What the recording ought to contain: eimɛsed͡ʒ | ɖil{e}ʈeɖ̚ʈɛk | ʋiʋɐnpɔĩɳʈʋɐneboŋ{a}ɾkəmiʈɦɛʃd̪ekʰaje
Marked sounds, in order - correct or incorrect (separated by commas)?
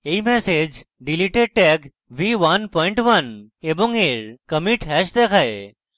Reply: incorrect, incorrect